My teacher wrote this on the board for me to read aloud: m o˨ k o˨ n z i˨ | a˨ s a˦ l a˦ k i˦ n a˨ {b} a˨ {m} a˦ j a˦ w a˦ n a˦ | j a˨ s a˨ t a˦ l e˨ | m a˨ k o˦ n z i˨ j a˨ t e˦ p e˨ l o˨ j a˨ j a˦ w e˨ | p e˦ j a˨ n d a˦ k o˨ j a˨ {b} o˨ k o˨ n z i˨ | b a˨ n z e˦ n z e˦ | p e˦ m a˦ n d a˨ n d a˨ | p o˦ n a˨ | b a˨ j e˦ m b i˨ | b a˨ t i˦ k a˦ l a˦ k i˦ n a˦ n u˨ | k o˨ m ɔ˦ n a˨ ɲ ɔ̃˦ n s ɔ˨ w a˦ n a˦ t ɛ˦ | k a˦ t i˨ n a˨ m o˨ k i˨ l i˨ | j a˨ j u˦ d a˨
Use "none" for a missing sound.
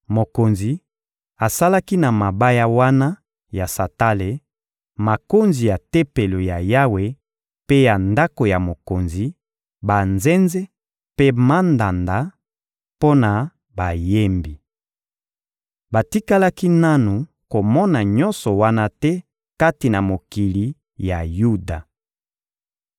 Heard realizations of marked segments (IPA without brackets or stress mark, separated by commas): m, b, m